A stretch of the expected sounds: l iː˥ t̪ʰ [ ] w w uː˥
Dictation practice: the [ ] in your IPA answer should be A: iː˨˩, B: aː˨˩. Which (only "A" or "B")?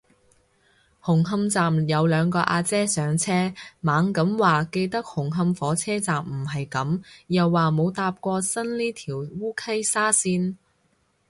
A